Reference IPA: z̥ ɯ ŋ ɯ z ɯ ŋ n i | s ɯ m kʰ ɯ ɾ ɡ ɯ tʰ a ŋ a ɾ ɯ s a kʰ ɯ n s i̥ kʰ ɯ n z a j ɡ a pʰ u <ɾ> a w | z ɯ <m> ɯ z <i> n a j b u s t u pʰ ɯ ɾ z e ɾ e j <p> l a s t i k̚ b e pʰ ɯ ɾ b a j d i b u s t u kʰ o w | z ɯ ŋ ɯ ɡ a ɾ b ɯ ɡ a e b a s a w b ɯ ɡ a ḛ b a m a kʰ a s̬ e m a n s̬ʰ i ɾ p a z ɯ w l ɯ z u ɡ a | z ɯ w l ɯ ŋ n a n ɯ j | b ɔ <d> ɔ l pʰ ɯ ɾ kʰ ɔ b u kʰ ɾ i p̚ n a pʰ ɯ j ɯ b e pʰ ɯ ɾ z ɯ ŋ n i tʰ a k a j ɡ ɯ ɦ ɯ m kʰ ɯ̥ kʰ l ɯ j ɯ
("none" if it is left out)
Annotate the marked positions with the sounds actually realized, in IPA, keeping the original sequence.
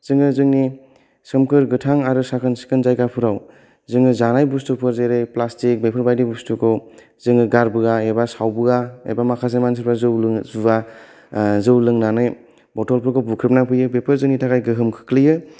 ɾ, ŋ, a, p, t

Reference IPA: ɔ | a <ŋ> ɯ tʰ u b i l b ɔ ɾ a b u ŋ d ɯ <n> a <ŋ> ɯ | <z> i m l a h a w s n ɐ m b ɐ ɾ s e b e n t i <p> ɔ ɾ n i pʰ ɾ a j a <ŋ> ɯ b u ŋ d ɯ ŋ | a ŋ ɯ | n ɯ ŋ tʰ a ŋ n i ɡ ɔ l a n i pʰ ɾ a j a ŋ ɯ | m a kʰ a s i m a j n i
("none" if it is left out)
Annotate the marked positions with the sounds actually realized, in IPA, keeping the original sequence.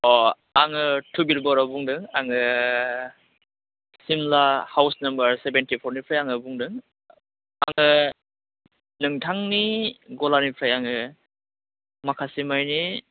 ŋ, ŋ, ŋ, s, pʰ, ŋ

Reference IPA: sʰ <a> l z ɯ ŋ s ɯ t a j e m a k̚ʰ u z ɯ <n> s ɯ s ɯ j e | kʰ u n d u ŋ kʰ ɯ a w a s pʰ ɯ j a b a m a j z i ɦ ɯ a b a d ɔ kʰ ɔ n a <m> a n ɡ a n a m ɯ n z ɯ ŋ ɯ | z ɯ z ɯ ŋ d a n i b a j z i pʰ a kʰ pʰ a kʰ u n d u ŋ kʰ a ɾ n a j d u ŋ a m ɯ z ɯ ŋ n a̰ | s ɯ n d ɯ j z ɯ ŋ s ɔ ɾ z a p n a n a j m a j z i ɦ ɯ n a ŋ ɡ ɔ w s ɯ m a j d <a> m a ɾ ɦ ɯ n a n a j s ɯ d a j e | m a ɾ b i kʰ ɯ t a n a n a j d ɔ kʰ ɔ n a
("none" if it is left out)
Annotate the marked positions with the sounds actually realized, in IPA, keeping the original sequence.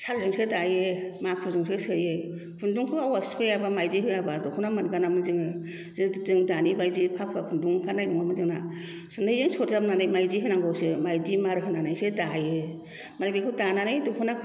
a, ŋ, m, i

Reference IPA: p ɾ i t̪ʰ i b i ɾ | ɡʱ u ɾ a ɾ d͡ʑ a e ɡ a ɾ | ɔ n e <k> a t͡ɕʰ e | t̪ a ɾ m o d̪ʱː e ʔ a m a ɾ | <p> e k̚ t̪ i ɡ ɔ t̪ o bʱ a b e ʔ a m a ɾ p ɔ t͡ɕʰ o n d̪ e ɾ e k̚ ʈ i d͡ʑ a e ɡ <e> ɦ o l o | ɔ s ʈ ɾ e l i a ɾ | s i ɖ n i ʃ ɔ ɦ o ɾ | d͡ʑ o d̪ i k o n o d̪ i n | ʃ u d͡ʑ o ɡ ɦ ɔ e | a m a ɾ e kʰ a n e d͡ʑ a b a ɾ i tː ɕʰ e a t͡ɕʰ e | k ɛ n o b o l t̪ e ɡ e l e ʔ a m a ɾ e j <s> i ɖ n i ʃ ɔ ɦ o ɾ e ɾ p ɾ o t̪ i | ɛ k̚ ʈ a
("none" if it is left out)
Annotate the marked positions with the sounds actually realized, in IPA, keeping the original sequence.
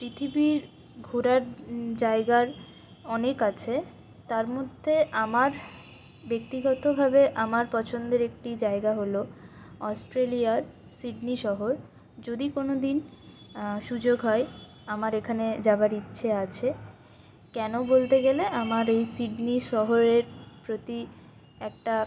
k, b, a, s

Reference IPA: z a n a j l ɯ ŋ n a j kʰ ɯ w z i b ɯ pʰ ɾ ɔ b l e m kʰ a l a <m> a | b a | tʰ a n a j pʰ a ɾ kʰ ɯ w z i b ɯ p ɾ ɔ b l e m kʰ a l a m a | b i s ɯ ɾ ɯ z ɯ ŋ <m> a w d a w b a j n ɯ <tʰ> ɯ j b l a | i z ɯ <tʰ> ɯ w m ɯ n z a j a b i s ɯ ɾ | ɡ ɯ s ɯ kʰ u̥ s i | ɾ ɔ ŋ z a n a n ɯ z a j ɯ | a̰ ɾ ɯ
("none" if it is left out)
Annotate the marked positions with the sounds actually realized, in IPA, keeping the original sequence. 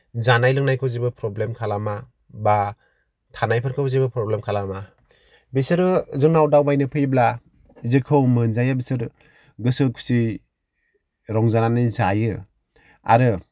m, n, pʰ, kʰ

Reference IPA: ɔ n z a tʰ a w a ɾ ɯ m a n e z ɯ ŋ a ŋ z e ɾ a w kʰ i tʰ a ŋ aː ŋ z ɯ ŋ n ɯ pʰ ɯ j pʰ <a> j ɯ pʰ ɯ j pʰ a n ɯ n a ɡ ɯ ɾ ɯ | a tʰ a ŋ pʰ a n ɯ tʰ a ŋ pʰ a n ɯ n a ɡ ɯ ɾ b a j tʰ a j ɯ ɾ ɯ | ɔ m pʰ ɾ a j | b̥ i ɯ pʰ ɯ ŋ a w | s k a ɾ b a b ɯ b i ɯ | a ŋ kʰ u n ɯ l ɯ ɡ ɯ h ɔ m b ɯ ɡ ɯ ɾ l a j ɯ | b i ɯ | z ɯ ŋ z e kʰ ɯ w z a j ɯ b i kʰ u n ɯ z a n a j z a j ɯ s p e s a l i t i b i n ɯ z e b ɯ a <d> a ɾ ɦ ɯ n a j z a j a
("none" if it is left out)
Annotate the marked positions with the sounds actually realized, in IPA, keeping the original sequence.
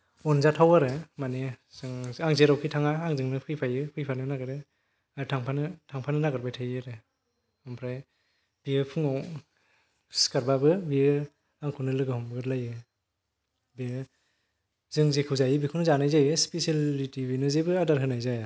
a, d

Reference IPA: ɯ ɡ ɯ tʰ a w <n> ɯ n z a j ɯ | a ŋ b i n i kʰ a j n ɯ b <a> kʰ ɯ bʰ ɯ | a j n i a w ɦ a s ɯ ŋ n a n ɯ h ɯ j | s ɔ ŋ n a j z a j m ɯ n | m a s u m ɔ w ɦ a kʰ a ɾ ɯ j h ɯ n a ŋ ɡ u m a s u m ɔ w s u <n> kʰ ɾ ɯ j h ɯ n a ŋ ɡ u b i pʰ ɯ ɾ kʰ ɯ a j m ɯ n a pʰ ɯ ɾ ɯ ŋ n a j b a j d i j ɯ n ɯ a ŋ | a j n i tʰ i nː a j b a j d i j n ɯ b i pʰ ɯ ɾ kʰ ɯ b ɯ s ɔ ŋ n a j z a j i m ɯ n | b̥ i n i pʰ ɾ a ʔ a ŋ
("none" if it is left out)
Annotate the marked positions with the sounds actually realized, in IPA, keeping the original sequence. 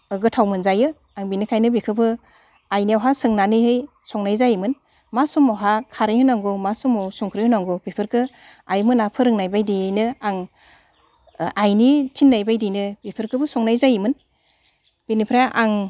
m, i, ŋ

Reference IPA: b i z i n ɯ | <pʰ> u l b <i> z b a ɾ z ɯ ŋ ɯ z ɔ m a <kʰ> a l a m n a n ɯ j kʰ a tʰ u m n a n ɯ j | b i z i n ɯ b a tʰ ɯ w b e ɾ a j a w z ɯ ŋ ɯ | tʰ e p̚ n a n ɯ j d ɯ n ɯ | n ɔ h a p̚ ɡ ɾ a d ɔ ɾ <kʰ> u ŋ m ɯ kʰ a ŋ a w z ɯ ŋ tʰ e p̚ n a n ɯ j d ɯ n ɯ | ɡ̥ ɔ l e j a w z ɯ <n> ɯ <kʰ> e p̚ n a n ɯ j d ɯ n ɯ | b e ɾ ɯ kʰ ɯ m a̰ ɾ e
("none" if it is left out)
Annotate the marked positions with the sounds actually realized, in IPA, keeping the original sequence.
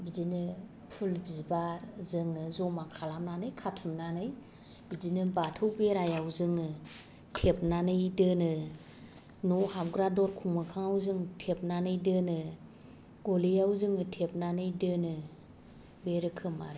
pʰ, i, kʰ, kʰ, ŋ, tʰ

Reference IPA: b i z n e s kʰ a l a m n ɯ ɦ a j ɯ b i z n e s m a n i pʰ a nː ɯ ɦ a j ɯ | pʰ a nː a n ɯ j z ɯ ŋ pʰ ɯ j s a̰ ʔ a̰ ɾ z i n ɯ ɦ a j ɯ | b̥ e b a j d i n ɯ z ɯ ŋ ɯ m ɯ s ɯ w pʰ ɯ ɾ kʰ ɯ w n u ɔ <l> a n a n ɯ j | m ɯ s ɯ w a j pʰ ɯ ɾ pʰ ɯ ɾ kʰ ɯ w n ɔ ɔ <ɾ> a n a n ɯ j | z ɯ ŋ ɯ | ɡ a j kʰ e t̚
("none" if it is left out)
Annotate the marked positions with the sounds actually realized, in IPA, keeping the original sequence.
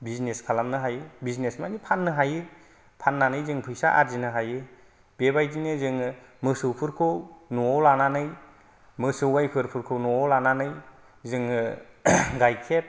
l, l

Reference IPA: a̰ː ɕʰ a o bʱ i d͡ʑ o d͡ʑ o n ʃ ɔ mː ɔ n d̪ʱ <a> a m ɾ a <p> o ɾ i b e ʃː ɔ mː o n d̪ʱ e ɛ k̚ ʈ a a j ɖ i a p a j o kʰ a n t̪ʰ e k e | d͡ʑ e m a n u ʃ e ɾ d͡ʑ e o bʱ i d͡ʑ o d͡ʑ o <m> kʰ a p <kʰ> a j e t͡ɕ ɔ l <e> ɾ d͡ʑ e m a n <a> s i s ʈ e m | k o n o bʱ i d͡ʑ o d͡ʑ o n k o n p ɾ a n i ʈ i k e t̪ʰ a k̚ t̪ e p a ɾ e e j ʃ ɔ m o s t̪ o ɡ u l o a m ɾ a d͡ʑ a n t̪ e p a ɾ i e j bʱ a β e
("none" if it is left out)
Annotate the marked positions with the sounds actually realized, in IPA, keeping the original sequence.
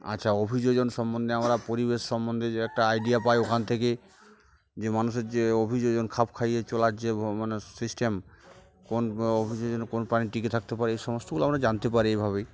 e, p, n, kʰ, a, e

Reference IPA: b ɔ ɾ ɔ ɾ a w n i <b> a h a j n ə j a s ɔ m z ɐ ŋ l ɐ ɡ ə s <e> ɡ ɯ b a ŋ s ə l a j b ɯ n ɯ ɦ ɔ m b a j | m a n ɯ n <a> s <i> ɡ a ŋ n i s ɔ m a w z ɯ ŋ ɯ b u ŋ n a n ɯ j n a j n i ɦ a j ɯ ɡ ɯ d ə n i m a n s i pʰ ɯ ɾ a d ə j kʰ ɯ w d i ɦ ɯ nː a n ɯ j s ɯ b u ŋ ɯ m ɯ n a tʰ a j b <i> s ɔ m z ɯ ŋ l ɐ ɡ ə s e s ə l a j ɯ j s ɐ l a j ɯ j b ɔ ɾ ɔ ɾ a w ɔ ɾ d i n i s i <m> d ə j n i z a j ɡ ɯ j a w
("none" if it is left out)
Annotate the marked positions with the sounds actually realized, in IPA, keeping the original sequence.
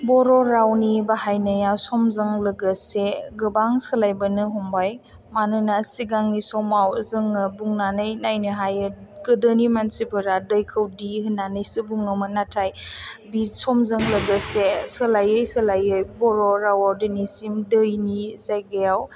b, e, a, i, i, m

